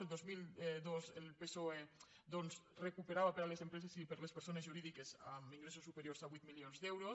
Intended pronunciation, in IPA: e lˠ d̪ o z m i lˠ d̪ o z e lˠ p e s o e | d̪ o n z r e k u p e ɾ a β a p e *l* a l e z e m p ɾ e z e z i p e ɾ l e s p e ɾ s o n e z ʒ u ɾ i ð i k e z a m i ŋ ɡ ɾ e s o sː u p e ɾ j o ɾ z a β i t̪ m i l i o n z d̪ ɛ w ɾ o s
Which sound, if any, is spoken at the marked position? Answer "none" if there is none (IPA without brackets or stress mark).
ɾ